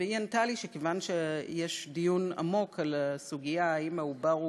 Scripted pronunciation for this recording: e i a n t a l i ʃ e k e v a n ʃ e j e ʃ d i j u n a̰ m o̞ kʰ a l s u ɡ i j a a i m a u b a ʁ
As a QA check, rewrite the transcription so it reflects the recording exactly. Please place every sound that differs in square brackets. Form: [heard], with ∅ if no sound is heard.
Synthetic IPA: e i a n t a l i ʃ e k e v a n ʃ e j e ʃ d i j u n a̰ m o̞ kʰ a l s u ɡ i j a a i m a u b a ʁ